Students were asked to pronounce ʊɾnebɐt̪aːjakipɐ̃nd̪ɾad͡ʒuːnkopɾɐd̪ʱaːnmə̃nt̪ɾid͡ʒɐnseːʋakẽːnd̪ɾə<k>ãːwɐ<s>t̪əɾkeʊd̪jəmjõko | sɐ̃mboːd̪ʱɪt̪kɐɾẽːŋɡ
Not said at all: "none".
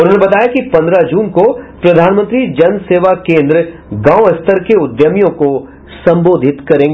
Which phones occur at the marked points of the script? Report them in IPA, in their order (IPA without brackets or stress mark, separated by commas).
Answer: ɡ, s